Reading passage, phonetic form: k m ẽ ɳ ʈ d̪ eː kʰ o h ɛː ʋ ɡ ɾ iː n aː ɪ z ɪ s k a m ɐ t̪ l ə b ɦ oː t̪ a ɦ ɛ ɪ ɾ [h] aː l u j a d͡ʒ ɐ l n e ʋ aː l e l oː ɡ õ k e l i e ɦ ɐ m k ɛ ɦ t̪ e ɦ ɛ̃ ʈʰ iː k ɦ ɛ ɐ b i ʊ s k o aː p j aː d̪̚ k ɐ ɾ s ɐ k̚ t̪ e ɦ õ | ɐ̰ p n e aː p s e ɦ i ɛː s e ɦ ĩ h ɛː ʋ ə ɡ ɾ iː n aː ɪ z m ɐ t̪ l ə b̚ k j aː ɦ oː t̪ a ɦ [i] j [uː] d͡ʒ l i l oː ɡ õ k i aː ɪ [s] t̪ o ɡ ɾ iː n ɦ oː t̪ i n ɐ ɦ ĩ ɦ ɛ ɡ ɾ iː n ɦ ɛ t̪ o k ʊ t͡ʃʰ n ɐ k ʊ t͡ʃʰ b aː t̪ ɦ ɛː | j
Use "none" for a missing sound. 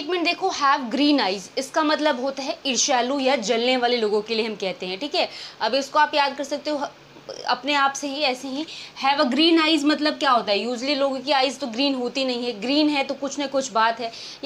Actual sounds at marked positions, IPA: ʃ, ɛ, uː, z

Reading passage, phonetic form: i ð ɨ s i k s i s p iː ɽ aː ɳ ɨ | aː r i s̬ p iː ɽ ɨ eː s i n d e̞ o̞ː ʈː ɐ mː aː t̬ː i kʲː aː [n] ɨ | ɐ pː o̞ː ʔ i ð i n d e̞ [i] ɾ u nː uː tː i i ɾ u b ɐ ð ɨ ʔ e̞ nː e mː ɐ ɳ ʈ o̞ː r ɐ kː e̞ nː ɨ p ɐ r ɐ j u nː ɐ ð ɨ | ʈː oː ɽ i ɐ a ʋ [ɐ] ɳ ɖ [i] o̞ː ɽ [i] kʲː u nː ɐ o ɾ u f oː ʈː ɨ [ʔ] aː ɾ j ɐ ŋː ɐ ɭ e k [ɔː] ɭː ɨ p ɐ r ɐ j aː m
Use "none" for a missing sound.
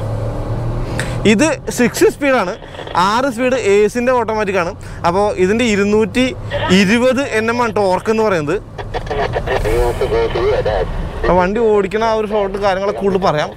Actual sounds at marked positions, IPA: ɳ, i, ɐ, i, i, k, uː

